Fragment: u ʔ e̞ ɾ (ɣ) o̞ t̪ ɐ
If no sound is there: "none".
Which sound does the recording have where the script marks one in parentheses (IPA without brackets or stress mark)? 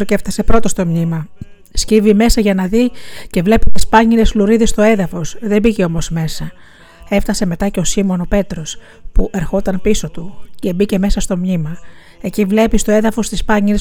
x